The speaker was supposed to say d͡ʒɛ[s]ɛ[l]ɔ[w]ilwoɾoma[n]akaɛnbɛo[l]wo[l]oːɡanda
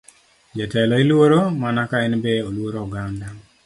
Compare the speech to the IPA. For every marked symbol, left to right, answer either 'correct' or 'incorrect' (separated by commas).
incorrect, correct, incorrect, correct, correct, incorrect